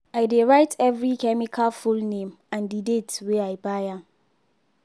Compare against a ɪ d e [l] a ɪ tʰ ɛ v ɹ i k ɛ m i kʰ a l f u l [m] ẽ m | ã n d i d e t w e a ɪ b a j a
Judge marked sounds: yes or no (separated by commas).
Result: no, no